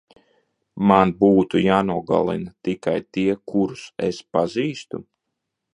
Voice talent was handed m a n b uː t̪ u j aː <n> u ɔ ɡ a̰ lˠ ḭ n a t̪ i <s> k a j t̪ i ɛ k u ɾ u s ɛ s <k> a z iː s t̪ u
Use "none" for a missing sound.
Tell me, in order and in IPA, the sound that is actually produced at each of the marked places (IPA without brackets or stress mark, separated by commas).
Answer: n, none, p